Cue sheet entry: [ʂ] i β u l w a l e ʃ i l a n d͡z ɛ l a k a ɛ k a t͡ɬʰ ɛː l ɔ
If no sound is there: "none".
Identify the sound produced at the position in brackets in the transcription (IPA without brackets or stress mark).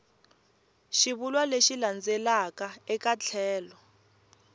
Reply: ʃ